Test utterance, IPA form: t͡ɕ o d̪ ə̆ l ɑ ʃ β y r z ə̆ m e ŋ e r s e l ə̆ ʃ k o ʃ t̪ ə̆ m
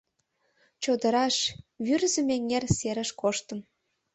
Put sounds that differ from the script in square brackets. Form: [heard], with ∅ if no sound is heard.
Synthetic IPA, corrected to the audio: t͡ɕ o d̪ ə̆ [ɾ] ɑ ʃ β y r z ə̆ m e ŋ e r s e [ɾ] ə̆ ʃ k o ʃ t̪ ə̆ m